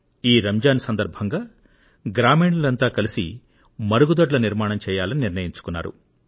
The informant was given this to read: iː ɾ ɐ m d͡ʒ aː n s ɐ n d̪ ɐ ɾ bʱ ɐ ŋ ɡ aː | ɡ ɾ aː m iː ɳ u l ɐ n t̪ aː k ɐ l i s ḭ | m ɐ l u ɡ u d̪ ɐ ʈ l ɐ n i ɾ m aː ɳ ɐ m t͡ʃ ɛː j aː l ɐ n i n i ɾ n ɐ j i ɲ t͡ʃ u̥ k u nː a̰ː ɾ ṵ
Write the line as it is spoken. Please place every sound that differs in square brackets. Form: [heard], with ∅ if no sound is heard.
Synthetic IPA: iː ɾ ɐ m d͡ʒ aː n s ɐ n d̪ ɐ ɾ bʱ ɐ ŋ ɡ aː | ɡ ɾ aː m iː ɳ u l ɐ n t̪ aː k ɐ l i s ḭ | m ɐ [ɾ] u ɡ u d̪ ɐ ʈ l ɐ n i ɾ m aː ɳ ɐ m t͡ʃ ɛː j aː l ɐ n i n i ɾ n ɐ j i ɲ t͡ʃ u̥ k u nː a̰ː ɾ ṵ